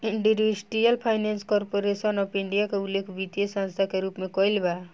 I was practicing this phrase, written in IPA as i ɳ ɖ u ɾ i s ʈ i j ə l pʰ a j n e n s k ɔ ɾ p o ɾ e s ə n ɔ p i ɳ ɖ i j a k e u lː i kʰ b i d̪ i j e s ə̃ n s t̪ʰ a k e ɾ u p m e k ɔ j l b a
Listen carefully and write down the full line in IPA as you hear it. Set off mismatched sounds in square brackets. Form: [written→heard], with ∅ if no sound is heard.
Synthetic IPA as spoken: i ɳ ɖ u ɾ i s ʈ i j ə l pʰ a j n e n s k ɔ ɾ p o ɾ e s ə n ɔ p i ɳ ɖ i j a k e u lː [i→e] kʰ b i [d̪→t̪] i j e s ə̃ n s t̪ʰ a k e ɾ u p m e k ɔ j l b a